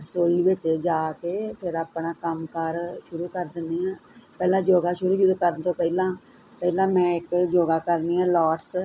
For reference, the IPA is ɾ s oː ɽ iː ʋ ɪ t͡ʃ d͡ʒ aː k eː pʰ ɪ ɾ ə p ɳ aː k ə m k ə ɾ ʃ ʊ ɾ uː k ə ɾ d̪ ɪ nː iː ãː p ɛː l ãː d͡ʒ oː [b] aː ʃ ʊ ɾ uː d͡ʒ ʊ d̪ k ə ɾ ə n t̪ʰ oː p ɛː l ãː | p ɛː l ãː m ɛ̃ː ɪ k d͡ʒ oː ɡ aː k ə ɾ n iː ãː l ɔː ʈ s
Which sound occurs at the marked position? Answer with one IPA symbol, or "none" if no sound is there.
ɡ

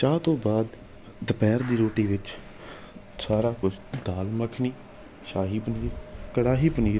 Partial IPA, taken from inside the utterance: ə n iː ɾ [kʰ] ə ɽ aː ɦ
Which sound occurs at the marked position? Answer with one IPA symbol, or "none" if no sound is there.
k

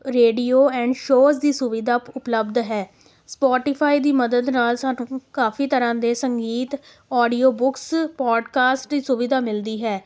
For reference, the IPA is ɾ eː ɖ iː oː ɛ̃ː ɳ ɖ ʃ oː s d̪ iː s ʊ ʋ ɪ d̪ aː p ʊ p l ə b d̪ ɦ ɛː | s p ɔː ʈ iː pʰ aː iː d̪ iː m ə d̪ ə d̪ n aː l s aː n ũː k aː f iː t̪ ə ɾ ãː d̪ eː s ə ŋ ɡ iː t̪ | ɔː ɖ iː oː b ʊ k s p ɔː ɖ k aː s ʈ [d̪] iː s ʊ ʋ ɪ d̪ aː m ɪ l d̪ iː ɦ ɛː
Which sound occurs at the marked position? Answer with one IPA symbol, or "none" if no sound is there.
d̪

